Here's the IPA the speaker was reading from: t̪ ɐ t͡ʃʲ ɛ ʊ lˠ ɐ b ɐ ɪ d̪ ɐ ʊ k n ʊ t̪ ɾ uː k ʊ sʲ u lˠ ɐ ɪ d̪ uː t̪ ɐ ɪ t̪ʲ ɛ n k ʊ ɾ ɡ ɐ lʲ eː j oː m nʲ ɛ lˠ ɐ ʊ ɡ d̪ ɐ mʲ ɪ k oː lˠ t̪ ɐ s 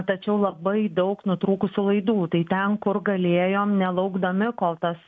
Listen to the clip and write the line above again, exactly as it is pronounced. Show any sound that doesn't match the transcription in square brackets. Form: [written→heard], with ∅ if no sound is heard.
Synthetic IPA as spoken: t̪ ɐ t͡ʃʲ ɛ ʊ lˠ ɐ b ɐ ɪ d̪ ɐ ʊ k n ʊ t̪ ɾ uː k ʊ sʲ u lˠ ɐ ɪ d̪ uː t̪ ɐ ɪ t̪ʲ ɛ n k ʊ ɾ ɡ ɐ lʲ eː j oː m nʲ ɛ lˠ ɐ ʊ ɡ d̪ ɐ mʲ ɪ k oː lˠ t̪ ɐ s